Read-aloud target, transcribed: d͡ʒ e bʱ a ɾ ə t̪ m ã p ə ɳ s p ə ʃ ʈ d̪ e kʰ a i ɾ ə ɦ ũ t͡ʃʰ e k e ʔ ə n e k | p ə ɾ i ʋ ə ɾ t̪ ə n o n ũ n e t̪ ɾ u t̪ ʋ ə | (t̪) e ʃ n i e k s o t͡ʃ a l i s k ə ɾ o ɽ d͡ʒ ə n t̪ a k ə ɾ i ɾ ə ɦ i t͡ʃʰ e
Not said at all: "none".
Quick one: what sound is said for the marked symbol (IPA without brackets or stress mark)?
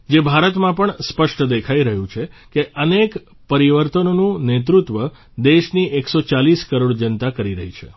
d̪